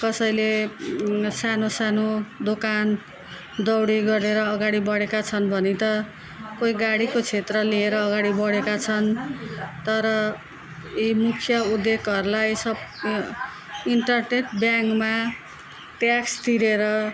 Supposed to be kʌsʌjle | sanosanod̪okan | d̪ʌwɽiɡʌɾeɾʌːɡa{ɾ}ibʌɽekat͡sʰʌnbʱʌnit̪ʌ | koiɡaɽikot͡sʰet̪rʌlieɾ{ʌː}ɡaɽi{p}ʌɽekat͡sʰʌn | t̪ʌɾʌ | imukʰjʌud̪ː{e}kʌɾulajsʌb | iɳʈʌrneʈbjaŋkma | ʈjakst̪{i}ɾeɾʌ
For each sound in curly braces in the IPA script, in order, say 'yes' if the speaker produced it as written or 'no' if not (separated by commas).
no, yes, no, yes, yes